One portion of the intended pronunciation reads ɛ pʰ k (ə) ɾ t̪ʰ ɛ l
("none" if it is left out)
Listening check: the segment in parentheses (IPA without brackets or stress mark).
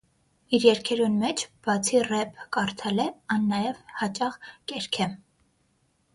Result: ɑ